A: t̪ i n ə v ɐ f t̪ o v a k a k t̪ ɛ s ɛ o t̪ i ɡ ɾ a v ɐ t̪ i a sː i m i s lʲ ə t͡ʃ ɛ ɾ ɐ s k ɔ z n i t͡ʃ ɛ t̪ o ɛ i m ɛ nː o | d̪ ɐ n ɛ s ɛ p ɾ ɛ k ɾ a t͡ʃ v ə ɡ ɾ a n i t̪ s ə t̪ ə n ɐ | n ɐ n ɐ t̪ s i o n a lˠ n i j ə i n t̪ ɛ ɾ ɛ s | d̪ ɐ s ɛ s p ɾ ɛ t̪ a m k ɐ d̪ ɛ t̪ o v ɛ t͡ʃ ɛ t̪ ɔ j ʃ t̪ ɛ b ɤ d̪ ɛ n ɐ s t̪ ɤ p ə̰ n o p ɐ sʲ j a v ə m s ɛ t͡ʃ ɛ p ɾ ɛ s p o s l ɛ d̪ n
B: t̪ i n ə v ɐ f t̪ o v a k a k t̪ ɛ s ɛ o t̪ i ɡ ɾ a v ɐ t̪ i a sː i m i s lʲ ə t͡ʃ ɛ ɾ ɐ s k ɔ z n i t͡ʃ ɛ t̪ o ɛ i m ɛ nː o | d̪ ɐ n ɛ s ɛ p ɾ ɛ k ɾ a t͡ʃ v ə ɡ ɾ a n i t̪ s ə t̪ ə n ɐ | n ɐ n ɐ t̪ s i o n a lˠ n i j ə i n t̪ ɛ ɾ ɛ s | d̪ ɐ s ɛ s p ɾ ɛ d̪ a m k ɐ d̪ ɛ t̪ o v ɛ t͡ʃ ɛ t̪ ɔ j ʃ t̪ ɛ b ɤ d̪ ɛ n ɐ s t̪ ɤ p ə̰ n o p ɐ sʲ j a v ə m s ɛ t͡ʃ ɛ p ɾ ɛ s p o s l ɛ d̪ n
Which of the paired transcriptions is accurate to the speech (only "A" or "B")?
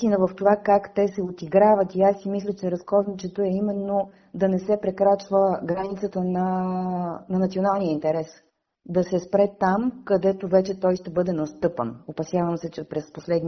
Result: A